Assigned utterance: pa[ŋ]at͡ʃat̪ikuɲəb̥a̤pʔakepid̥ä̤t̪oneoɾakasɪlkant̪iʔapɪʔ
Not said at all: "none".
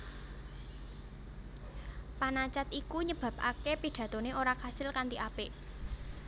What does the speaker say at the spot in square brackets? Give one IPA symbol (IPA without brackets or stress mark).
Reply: n